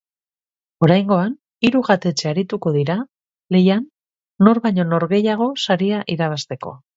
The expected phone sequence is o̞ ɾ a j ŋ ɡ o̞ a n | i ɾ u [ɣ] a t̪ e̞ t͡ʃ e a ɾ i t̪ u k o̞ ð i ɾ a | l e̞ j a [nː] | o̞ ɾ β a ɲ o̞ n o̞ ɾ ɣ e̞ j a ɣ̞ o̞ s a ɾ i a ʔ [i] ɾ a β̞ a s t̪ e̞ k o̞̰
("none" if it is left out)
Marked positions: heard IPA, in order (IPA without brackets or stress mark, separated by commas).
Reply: ɣ, nː, i